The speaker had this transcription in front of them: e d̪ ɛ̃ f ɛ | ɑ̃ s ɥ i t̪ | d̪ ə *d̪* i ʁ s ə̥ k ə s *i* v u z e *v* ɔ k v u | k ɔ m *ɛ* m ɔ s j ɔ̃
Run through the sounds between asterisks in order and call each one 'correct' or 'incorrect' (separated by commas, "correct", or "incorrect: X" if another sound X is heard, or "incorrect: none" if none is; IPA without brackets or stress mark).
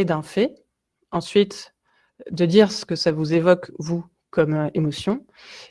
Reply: correct, incorrect: a, correct, incorrect: e